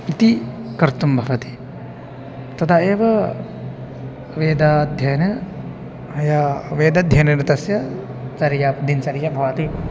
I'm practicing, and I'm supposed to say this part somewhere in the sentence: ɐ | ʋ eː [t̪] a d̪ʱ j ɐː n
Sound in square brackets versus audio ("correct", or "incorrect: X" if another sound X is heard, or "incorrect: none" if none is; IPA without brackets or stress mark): incorrect: d̪